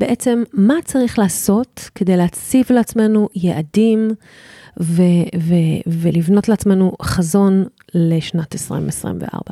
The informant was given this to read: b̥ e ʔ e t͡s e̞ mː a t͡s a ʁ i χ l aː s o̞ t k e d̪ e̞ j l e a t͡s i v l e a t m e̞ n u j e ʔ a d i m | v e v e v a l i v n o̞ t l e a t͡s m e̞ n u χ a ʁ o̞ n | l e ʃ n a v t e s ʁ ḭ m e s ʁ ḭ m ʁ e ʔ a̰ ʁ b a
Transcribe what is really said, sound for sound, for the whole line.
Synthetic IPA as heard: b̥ e ʔ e t͡s e̞ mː a t͡s a ʁ i χ l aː s o̞ t k e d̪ e̞ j l e a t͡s i v l e a t͡s m e̞ n u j e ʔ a d i m | v e v e v e l i v n o̞ t l e a t͡s m e̞ n u χ a z o̞ n | l e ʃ n a t e s ʁ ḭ m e s ʁ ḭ m v e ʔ a̰ ʁ b a